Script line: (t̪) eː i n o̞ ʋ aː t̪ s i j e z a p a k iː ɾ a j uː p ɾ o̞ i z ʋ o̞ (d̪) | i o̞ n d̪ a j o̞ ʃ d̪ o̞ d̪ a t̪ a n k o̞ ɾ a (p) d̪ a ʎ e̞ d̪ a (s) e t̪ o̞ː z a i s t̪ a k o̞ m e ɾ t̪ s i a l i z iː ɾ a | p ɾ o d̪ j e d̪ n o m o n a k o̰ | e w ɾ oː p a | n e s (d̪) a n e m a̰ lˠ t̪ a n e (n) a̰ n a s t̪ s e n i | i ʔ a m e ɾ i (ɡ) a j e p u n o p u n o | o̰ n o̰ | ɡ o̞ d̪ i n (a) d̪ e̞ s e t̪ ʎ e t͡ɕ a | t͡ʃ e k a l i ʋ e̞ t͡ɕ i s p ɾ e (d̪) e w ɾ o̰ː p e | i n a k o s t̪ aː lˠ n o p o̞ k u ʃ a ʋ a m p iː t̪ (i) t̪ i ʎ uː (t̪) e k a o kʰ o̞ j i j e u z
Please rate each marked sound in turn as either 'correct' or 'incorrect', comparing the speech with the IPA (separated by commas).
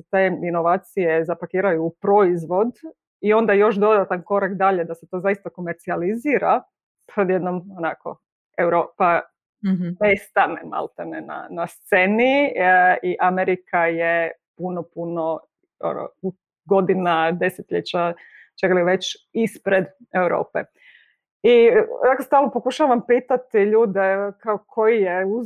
correct, correct, incorrect, correct, incorrect, correct, incorrect, correct, correct, incorrect, incorrect